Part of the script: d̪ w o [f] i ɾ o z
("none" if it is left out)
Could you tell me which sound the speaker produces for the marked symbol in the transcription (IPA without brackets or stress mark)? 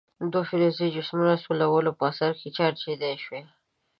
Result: f